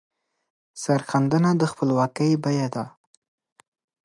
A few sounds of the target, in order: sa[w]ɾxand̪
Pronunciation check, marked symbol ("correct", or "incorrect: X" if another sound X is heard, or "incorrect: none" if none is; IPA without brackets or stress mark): incorrect: none